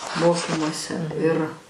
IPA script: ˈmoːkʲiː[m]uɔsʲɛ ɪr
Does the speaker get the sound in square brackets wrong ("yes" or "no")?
no